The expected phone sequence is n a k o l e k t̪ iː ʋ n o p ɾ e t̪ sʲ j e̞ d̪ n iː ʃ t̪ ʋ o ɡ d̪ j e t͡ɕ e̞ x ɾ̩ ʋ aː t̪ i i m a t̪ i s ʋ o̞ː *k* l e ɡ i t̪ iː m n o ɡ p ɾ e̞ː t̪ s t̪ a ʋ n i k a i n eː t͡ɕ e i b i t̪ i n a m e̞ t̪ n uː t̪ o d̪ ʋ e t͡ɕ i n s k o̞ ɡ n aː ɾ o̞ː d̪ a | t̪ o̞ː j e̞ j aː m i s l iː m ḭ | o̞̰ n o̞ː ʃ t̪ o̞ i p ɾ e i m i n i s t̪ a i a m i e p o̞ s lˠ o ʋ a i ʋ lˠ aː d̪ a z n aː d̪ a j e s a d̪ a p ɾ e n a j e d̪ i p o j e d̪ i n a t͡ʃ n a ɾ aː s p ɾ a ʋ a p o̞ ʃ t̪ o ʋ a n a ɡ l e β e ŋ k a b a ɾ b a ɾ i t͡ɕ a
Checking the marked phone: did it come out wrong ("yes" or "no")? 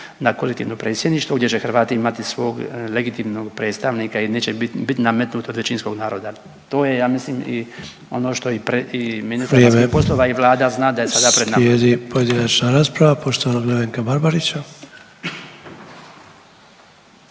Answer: yes